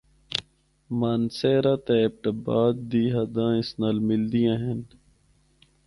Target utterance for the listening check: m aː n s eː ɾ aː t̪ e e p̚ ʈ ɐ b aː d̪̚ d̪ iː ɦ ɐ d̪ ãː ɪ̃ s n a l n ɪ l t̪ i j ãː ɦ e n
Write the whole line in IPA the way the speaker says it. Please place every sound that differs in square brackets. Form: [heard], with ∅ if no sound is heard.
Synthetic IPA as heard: m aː n s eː ɾ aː t̪ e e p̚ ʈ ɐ b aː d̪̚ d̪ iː ɦ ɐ d̪ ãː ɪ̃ s n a l [m] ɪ l [d̪] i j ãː ɦ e n